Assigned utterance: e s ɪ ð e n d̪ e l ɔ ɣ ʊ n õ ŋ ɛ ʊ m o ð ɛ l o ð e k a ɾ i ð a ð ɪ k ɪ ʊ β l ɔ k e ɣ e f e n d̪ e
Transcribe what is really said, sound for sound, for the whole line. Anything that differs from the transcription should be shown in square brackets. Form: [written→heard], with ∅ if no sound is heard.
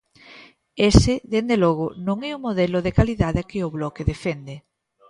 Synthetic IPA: e s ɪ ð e n d̪ e l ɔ ɣ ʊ n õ ŋ ɛ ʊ m o ð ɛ l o ð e k a [ɾ→l] i ð a ð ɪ k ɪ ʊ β l ɔ k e [ɣ→ð] e f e n d̪ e